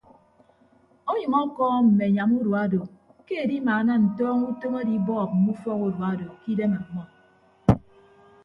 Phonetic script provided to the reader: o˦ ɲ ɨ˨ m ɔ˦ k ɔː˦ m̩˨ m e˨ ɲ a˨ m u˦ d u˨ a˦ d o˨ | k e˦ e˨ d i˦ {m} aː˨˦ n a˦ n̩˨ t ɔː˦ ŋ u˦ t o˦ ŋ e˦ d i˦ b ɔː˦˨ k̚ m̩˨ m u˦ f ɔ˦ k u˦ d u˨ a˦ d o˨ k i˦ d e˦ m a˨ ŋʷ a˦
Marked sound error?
no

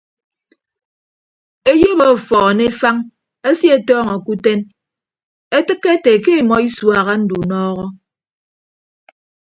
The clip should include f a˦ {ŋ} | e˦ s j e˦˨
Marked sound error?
no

